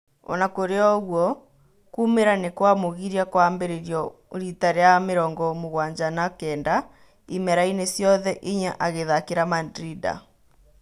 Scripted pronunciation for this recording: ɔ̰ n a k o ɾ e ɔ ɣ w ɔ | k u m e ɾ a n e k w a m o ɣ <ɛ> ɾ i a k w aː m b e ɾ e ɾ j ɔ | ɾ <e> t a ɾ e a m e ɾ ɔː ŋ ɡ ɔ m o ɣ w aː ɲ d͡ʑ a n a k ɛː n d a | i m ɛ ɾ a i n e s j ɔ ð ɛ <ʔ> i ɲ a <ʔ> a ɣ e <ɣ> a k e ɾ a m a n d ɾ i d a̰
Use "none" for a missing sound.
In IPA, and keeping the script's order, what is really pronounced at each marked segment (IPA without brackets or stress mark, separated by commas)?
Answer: i, i, ʔ, ʔ, ð